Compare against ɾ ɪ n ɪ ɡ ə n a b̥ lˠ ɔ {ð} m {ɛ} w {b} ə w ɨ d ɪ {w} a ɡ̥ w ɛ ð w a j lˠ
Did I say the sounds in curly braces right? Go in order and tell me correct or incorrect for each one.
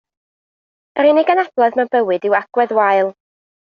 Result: correct, correct, correct, correct

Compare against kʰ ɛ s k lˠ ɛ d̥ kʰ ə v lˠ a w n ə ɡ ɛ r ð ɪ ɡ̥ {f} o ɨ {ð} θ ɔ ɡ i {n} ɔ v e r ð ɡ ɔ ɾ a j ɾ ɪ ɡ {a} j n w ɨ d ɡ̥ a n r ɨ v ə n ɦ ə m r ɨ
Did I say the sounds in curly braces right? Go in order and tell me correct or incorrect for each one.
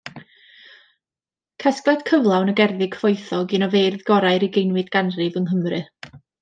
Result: correct, incorrect: none, correct, incorrect: e

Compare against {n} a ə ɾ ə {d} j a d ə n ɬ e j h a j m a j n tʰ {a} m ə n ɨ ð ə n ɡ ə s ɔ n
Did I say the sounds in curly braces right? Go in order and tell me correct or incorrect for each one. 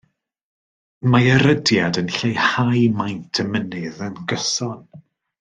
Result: incorrect: m, correct, incorrect: ə

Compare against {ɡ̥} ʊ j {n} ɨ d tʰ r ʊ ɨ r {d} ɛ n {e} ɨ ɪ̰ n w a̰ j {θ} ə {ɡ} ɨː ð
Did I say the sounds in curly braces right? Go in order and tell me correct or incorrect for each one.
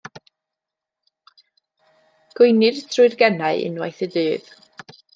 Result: correct, correct, incorrect: ɡ, incorrect: a, correct, incorrect: d

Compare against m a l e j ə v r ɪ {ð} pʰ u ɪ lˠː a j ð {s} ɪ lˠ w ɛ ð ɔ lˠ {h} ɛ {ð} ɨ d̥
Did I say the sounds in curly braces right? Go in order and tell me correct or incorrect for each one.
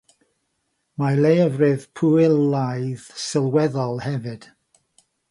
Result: correct, correct, correct, incorrect: v

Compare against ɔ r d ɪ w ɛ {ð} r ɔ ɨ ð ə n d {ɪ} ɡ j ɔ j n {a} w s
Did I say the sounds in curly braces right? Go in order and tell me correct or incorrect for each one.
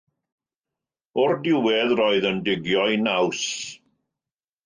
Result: correct, correct, correct

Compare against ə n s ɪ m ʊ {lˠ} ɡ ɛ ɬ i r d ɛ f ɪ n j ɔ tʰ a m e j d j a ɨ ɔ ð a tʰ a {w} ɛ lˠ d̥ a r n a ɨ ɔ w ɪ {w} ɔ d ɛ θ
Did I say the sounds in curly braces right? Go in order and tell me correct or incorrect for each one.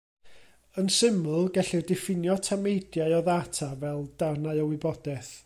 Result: correct, incorrect: v, incorrect: b

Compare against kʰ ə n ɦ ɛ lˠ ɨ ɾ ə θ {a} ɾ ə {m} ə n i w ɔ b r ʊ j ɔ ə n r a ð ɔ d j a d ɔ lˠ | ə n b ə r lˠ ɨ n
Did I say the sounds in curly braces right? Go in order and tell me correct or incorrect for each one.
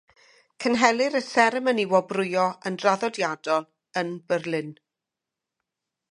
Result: incorrect: ɛ, correct

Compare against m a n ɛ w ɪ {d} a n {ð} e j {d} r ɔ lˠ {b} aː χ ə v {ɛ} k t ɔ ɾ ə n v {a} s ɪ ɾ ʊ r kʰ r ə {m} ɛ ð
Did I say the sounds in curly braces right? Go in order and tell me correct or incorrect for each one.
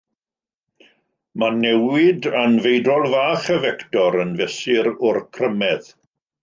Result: correct, incorrect: v, correct, incorrect: v, correct, incorrect: ɛ, correct

